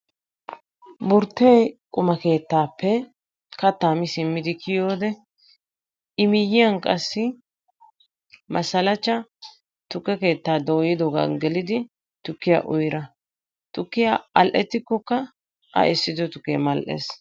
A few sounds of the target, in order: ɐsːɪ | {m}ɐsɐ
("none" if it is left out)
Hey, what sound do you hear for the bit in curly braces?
m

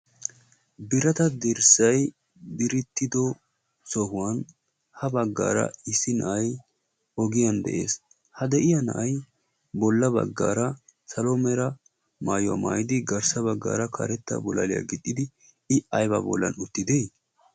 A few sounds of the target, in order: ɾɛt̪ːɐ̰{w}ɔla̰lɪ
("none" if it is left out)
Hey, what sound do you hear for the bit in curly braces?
b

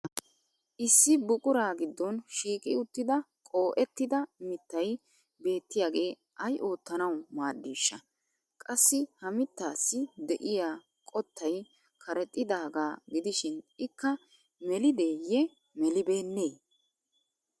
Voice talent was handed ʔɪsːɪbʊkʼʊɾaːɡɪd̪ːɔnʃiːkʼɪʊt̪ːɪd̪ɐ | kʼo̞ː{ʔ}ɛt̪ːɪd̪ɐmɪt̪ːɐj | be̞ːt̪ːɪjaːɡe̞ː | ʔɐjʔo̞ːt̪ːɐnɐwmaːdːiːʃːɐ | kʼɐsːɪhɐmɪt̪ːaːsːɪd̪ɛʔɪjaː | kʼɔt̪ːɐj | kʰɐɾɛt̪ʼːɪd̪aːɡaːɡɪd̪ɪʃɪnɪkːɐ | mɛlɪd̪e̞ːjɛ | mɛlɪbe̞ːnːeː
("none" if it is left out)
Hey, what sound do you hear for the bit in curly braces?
ʔ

